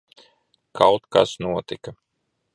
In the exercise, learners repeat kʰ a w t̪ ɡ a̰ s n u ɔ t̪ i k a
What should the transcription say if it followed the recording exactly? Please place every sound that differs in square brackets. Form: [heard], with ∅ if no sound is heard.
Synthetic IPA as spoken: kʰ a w t̪ [k] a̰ s n u ɔ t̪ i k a